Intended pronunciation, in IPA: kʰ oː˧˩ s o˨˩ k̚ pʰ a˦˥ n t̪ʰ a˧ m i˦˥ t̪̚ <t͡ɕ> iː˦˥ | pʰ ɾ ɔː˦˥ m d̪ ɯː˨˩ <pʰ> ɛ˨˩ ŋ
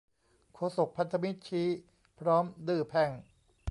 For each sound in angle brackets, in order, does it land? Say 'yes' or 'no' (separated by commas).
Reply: no, yes